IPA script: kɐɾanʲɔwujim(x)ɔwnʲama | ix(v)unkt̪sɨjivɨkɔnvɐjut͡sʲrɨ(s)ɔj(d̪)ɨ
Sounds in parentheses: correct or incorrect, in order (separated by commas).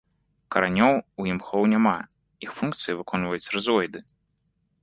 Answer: correct, incorrect, incorrect, correct